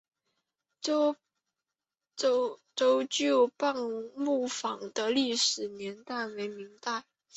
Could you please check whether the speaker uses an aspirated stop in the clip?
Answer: no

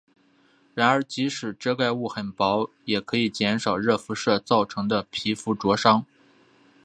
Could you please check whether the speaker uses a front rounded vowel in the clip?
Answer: no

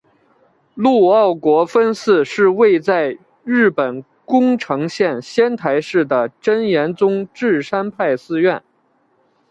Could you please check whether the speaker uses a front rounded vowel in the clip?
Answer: no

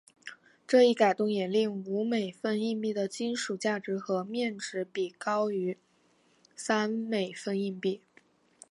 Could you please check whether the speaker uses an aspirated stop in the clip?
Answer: no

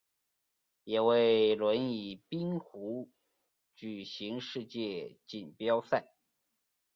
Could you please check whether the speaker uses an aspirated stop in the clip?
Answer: no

